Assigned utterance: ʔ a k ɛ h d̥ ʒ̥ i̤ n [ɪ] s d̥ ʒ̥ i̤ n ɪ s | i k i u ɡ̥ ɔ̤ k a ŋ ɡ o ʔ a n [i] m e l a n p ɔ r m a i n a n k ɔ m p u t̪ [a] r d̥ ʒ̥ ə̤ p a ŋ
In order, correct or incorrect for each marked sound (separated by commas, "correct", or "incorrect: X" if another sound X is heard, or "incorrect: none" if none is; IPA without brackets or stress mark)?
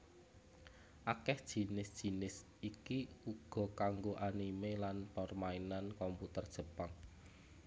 correct, correct, incorrect: ə